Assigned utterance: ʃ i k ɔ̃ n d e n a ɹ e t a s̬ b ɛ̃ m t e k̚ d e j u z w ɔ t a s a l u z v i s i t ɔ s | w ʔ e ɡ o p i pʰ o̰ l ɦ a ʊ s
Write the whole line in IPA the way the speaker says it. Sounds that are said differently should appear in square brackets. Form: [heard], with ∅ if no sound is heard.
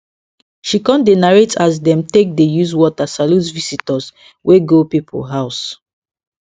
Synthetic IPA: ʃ i k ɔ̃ n d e n a ɹ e t a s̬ [d] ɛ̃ m t e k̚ d e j u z w ɔ t a s a l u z v i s i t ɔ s | w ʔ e ɡ o p i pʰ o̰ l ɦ a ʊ s